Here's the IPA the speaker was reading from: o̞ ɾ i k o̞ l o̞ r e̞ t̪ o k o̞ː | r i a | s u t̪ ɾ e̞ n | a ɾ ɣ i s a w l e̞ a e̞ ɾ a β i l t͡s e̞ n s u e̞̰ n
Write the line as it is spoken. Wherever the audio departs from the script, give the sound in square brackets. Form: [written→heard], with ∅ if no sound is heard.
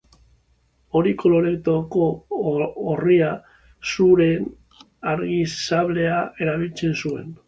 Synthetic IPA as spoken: o̞ ɾ i k o̞ l o̞ [r→ɾ] e̞ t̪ o k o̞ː | r i a | s u [t̪→∅] ɾ e̞ n | a ɾ ɣ i s a [w→β] l e̞ a e̞ ɾ a β i l t͡s e̞ n s u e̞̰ n